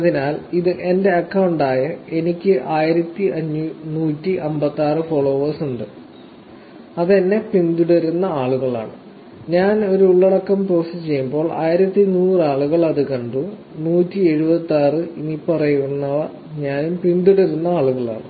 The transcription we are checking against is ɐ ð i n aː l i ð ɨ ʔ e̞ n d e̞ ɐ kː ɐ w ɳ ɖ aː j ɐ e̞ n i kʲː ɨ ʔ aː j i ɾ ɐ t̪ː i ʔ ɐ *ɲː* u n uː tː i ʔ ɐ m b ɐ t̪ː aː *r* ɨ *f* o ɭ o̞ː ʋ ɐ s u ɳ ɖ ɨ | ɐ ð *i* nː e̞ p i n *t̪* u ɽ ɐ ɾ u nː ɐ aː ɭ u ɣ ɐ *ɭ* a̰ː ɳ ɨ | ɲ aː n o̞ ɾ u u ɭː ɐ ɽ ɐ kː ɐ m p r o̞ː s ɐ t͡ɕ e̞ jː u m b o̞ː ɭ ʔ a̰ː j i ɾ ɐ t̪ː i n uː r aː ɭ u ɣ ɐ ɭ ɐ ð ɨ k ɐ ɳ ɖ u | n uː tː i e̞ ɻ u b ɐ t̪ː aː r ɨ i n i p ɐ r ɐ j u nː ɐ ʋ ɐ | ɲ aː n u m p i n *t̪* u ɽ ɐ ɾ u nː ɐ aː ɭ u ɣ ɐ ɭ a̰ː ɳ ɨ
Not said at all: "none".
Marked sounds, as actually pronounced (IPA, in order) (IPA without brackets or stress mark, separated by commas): ɲː, r, f, e, d̪, ɭ, d̪